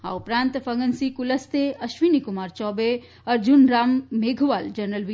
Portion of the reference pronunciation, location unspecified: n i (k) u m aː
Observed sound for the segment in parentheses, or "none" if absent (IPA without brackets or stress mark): k